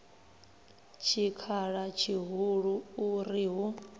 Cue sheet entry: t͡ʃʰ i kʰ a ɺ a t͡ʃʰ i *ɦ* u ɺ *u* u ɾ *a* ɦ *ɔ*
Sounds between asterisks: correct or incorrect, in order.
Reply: correct, correct, incorrect: i, incorrect: u

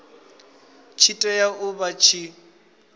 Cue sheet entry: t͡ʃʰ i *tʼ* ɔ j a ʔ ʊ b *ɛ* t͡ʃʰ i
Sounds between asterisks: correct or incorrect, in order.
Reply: correct, incorrect: a

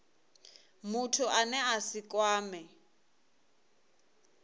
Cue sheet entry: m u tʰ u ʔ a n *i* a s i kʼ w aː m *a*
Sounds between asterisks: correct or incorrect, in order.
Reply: incorrect: ɛ, incorrect: ɛ

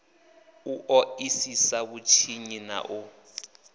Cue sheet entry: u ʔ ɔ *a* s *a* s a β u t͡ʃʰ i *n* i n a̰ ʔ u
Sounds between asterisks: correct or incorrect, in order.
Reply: incorrect: i, incorrect: i, incorrect: ɲ

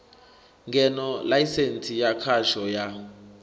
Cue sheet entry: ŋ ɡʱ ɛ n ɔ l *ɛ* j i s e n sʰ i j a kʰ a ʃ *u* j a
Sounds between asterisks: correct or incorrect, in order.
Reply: incorrect: a, incorrect: ɔ

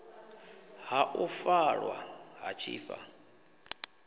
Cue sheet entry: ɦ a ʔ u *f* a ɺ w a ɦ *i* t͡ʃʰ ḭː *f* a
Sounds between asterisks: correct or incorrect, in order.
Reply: correct, incorrect: a, correct

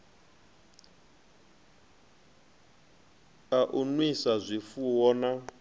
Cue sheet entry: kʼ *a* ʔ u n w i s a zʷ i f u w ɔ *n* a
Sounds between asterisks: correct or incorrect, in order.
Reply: correct, correct

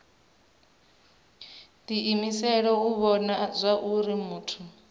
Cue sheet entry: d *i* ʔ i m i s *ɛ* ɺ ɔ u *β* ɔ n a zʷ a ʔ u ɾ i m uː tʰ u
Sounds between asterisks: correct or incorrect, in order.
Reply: correct, correct, correct

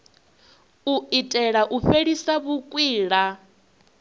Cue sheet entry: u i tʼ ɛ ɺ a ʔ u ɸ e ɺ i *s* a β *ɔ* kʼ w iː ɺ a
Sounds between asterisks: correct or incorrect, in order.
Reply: correct, incorrect: u

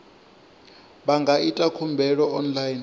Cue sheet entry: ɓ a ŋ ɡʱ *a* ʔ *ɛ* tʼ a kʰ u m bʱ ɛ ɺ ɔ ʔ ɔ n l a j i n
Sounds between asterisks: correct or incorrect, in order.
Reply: correct, incorrect: i

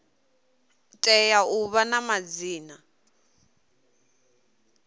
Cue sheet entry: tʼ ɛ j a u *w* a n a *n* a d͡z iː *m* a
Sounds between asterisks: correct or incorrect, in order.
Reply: incorrect: β, incorrect: m, incorrect: n

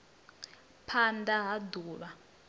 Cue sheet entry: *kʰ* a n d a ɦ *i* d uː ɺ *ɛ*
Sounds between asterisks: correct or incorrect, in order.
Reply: incorrect: pʰ, incorrect: a, incorrect: a

